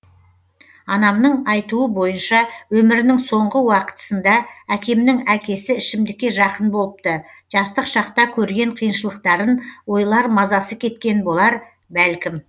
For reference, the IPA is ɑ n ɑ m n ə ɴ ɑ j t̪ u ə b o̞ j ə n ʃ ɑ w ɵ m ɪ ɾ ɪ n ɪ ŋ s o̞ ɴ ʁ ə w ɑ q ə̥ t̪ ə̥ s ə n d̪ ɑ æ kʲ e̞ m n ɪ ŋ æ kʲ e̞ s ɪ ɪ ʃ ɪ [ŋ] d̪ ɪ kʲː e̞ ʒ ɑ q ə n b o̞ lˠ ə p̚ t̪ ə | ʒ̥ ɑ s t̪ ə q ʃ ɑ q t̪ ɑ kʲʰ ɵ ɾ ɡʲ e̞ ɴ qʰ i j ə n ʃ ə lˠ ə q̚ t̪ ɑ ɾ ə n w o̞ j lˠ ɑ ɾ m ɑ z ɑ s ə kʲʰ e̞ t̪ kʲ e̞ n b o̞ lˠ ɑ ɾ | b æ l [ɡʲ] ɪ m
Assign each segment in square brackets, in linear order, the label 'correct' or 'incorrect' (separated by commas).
incorrect, incorrect